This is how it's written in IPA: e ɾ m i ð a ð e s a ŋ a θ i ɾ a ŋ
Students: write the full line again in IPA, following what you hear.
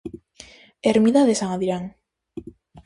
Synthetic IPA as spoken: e ɾ m i ð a ð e s a ŋ a ð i ɾ a ŋ